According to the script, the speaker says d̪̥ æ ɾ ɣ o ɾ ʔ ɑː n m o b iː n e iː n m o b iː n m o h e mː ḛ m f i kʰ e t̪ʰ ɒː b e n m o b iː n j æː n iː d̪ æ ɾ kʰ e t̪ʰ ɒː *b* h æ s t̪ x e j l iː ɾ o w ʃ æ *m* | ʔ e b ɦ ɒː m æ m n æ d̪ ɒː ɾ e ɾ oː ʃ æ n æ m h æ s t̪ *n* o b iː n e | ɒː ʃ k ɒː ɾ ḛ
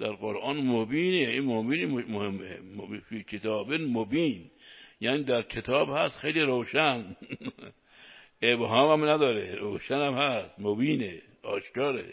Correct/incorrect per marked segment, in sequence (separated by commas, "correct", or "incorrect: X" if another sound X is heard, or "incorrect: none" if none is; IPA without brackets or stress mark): correct, incorrect: n, incorrect: m